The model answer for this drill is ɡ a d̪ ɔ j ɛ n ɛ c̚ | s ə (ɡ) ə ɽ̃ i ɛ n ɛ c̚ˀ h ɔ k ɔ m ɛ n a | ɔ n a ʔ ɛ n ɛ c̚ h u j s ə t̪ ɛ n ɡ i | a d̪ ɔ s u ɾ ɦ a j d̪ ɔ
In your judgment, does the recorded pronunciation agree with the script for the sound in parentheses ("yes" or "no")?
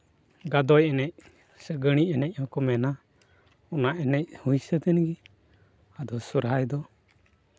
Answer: yes